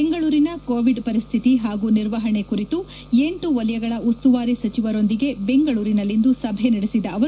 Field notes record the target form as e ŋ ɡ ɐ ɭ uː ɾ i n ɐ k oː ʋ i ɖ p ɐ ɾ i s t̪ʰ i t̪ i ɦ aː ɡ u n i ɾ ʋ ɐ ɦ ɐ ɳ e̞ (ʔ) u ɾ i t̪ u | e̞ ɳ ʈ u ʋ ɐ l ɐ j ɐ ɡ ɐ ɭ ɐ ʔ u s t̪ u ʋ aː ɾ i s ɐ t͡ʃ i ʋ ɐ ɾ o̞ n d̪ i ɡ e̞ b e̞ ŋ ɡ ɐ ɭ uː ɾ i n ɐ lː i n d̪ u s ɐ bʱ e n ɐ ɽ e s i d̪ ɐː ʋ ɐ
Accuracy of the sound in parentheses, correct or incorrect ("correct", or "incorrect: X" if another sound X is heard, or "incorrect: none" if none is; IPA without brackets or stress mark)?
incorrect: k